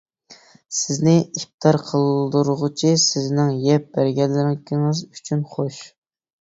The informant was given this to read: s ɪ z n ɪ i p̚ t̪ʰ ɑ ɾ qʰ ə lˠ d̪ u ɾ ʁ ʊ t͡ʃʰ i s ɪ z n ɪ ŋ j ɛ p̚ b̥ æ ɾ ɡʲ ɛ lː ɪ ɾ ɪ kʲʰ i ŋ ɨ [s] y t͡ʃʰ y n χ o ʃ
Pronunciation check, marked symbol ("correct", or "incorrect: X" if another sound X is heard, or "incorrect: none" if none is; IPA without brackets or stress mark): incorrect: z